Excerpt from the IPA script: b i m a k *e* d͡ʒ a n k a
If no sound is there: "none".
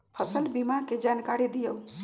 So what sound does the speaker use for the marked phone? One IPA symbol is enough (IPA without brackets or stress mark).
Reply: e